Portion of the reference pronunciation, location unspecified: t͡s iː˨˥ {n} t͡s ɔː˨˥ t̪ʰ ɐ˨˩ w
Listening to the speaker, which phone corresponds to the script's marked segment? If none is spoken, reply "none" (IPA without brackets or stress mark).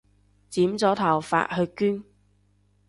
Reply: m